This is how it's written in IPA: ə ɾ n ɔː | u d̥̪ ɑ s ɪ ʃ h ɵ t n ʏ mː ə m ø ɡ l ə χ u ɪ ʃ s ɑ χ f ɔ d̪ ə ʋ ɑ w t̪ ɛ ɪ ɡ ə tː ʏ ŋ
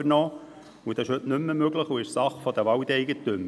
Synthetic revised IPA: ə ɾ n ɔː | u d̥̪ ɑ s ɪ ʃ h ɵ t n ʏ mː ə m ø ɡ l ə χ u ɪ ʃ s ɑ χ f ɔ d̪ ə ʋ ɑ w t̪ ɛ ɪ ɡ ə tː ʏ m